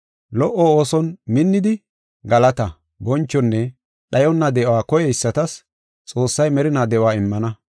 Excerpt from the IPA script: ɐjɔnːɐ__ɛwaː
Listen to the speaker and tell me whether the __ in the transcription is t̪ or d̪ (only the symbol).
d̪